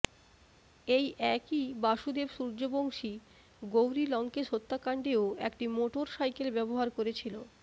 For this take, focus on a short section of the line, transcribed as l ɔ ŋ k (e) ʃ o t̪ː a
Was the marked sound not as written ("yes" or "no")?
no